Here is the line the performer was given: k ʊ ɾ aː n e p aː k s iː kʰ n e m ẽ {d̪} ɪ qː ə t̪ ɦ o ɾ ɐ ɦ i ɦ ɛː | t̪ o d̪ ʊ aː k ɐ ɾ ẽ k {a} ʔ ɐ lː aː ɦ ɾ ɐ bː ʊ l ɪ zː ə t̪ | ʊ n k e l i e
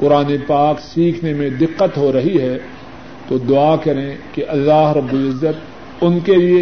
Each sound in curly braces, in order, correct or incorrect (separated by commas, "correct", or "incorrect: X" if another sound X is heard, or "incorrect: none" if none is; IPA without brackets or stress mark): correct, incorrect: e